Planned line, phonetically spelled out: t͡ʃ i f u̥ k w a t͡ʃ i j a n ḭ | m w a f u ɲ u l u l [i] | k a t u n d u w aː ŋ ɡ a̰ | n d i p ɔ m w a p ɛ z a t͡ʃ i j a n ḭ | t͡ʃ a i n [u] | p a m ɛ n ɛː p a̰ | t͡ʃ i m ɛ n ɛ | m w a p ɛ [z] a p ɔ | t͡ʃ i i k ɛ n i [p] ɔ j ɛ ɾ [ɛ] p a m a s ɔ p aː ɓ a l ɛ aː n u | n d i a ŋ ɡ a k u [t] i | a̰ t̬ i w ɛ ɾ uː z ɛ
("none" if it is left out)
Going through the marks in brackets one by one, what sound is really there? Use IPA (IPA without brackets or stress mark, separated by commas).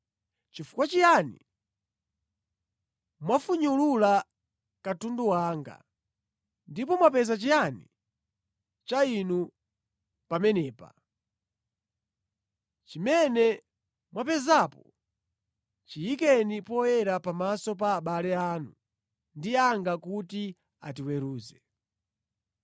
a, u, z, p, a, t